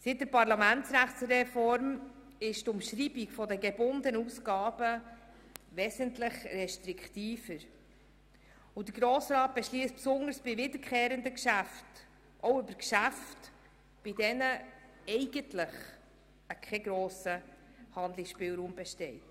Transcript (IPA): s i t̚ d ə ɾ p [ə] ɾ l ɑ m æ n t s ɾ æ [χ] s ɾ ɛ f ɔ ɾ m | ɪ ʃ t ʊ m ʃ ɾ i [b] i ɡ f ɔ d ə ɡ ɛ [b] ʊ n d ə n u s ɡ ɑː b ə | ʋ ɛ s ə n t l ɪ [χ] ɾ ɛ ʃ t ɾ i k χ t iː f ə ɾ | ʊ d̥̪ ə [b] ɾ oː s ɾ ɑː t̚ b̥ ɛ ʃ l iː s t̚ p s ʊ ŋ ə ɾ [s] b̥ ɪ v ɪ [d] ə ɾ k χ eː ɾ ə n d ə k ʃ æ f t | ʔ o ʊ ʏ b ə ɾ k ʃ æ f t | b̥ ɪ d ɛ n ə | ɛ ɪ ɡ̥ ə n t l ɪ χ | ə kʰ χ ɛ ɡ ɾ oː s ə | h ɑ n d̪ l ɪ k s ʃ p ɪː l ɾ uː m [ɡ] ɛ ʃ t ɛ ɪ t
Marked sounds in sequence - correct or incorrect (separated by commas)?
incorrect, correct, correct, correct, correct, incorrect, correct, correct, incorrect